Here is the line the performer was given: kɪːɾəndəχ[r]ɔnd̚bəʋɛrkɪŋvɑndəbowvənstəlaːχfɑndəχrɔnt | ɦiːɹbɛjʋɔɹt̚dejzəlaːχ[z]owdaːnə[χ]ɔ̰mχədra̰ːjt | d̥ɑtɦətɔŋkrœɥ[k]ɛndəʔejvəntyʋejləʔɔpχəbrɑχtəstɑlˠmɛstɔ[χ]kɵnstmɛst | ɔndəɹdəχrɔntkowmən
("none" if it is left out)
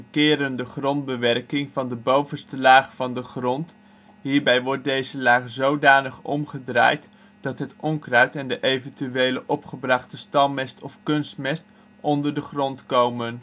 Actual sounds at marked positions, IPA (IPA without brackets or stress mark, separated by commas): r, z, χ, t, f